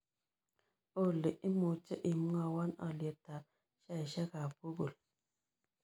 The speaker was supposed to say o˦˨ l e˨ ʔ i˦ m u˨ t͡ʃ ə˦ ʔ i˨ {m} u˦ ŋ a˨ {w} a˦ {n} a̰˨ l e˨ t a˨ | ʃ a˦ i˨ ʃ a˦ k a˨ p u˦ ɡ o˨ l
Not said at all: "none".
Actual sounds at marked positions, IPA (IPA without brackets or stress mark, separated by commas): m, w, n